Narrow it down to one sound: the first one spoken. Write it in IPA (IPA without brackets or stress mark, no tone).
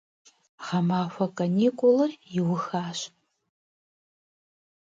ʁ